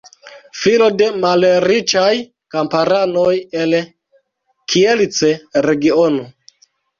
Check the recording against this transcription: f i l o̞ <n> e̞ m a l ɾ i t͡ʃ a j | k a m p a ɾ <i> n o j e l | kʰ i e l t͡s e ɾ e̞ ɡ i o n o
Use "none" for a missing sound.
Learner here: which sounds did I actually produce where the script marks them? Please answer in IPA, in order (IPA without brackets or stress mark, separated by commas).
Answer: d, a